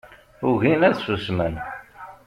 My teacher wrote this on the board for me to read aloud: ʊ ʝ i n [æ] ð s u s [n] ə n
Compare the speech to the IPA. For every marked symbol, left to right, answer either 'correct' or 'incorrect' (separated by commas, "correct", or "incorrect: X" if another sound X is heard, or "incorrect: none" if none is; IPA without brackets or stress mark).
correct, incorrect: m